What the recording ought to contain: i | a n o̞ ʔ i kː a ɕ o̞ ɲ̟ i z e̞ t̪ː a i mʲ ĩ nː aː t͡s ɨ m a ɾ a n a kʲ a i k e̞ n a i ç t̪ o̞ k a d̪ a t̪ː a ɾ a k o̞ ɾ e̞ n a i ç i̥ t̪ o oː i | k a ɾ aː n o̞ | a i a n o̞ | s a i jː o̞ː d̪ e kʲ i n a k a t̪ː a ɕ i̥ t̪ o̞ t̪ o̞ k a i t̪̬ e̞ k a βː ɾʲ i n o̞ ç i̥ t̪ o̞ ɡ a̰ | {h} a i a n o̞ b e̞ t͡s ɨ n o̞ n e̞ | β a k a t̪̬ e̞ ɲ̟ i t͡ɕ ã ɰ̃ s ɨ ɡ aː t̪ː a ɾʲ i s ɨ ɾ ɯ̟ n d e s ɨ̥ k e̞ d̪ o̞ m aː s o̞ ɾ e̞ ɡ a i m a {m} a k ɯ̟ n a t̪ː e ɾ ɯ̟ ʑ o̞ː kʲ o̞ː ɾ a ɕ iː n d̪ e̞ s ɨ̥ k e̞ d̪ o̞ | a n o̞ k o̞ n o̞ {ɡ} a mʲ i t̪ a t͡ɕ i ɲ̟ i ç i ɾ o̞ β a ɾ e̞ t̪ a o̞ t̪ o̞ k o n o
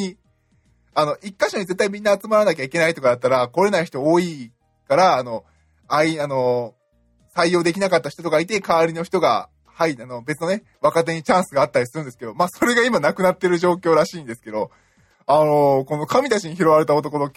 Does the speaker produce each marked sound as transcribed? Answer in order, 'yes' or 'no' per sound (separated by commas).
yes, no, no